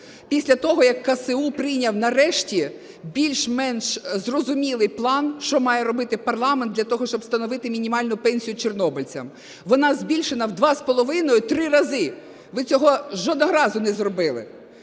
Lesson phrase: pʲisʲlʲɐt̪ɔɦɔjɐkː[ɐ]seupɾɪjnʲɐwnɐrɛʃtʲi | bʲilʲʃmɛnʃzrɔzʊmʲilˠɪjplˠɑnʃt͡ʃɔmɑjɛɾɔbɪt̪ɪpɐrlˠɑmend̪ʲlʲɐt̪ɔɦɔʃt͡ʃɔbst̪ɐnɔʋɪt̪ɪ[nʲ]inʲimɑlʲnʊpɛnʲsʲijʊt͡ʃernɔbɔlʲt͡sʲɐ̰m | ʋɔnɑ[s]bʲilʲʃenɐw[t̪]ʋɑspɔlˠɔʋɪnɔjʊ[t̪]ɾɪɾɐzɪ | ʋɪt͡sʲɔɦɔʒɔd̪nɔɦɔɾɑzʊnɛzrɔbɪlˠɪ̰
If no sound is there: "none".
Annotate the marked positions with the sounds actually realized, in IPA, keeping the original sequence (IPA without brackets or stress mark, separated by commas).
ɐ, mʲ, z, d̪, t̪